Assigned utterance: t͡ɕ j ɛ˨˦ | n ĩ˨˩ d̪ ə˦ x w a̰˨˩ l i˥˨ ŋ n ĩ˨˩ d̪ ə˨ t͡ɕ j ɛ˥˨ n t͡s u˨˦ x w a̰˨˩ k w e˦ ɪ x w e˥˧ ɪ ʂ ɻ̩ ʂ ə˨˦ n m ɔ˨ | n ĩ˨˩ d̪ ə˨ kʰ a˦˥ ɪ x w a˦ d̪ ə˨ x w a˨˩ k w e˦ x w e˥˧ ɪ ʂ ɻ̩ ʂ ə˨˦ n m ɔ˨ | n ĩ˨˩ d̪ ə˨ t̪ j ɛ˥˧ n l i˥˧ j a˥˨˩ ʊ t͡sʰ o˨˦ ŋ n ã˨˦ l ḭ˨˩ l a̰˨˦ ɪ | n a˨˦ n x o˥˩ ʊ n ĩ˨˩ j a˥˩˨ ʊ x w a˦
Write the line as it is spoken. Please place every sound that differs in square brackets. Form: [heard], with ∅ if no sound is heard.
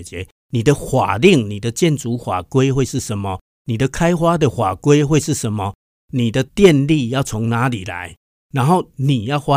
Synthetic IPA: t͡ɕ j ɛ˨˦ | n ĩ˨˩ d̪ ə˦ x w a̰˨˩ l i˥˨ ŋ n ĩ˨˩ d̪ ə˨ t͡ɕ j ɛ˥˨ n t͡s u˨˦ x w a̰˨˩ k w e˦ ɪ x w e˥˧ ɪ ʂ ɻ̩ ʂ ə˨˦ n m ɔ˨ | n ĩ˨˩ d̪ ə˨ kʰ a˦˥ ɪ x w a˦ d̪ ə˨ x w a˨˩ k w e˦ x w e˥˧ ɪ ʂ ɻ̩ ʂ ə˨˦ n m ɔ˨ | n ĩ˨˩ d̪ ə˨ t̪ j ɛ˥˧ n l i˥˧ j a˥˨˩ ʊ t͡sʰ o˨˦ ŋ n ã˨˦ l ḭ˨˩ l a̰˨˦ ɪ | n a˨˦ n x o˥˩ ʊ n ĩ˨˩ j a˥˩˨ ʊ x w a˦